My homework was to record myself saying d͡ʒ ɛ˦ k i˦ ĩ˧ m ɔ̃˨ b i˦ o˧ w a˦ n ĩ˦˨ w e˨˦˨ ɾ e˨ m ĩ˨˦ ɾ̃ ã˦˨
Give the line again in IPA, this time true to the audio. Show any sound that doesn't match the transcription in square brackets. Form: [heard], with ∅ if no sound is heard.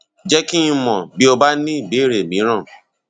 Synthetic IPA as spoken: d͡ʒ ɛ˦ k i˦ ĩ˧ m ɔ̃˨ b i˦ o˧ [b] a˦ n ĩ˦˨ [b] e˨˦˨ ɾ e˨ m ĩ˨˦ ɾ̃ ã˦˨